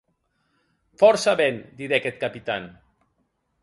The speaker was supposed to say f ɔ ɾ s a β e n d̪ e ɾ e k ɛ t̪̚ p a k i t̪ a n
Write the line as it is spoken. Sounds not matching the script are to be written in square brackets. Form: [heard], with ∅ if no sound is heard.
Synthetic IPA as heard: f ɔ ɾ s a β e n d̪ [i] ɾ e k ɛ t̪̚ [k] a [p] i t̪ a n